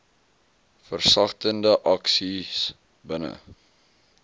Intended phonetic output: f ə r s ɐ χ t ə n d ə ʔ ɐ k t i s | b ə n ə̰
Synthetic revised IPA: f ə r s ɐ χ t ə n d ə ʔ ɐ k s i s | b ə n ə̰

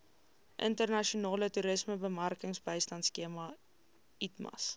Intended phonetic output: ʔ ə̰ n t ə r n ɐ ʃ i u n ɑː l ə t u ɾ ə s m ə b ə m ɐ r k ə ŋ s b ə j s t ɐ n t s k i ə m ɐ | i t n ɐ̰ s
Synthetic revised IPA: ʔ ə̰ n t ə r n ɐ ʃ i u n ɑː l ə t u ɾ ə s m ə b ə m ɐ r k ə ŋ s b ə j s t ɐ n t s k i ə m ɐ | i t m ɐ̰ s

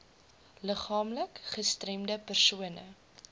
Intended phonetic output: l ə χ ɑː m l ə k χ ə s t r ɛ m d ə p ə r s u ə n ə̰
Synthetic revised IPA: l ə χ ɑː m l ə k χ ə s t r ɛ m d ə p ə r s u ə n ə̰

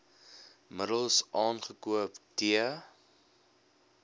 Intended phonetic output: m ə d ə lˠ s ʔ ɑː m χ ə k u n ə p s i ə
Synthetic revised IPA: m ə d ə lˠ s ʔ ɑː n χ ə k u ə p t i ə

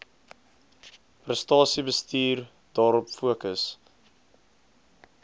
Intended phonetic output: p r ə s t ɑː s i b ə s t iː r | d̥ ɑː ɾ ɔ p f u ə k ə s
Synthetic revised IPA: p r ə s t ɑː s i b ə s t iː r | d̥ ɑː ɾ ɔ p f u ə k ə s

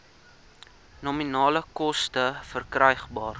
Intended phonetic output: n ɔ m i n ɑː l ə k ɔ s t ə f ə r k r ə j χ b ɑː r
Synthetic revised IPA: n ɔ m i n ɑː l ə k ɔ s t ə f ə r k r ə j χ b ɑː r

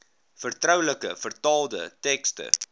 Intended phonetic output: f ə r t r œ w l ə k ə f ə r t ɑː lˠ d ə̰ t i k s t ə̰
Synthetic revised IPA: f ə r t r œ w l ə k ə f ə r t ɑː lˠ d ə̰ t ɛ k s t ə̰

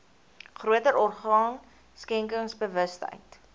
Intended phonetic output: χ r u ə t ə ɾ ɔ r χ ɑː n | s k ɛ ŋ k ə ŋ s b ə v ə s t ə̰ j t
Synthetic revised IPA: χ r u ə t ə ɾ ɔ r χ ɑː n | s k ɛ ŋ k ə ŋ s b ə v ə s t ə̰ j t

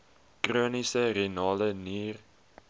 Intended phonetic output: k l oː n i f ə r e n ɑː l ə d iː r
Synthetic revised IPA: k r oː n i s ə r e n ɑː l ə n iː r

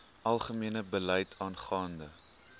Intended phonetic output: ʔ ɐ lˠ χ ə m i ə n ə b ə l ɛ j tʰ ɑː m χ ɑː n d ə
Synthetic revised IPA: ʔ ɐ lˠ χ ə m i ə n ə b ə l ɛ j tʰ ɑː n χ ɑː n d ə

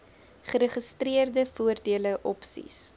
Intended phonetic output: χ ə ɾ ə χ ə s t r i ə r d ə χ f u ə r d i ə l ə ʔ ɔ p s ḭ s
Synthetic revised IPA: χ ə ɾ ə χ ə s t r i ə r d ə f u ə r d i ə l ə ʔ ɔ p s ḭ s

